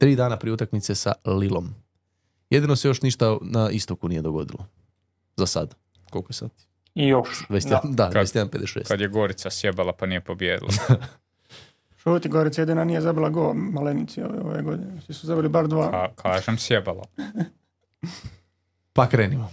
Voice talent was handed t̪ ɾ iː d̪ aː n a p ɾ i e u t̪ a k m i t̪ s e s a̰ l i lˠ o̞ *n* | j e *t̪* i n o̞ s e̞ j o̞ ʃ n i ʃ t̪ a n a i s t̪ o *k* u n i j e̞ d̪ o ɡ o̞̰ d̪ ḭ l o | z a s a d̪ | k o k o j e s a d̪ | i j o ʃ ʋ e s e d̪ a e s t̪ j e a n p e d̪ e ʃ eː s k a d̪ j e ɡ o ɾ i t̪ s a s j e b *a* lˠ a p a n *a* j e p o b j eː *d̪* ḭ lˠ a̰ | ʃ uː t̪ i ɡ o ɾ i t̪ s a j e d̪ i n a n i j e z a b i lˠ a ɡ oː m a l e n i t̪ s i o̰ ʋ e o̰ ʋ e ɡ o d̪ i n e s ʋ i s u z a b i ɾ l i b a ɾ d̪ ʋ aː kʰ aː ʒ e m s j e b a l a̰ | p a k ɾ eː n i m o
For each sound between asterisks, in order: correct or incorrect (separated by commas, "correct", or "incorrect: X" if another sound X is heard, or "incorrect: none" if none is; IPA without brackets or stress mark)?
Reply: incorrect: m, incorrect: d̪, correct, correct, incorrect: i, correct